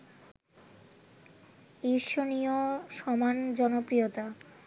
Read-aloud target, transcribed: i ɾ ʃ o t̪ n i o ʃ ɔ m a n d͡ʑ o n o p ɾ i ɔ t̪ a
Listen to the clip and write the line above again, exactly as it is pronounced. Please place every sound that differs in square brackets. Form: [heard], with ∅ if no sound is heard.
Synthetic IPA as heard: i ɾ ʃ o [∅] n i o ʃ ɔ m a n d͡ʑ [ɔ] n o p ɾ i [o] t̪ a